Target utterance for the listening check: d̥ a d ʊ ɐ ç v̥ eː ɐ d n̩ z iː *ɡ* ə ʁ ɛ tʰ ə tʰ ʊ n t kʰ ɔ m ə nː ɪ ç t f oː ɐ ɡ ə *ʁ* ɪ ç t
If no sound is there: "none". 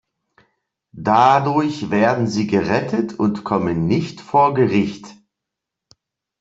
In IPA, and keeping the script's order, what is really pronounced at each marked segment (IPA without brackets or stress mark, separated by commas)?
ɡ, ʁ